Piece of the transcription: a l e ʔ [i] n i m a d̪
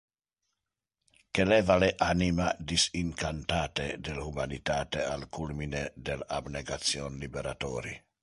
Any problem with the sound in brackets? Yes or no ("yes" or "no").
yes